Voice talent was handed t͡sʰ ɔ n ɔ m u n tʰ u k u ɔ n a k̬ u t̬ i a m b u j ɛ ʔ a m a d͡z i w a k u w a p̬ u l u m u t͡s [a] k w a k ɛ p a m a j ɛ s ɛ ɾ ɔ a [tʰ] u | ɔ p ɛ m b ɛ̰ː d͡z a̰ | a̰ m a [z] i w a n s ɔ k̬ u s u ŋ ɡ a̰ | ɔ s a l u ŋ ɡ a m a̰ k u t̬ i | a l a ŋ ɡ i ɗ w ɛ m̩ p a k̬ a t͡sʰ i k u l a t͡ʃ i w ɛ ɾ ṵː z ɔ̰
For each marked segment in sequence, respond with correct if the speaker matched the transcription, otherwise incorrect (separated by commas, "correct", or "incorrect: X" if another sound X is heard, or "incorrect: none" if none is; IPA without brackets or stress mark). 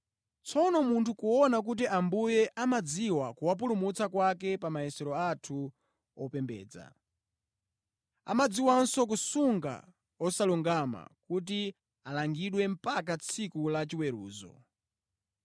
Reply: correct, correct, incorrect: d͡z